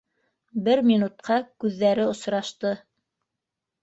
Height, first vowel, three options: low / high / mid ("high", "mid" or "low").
mid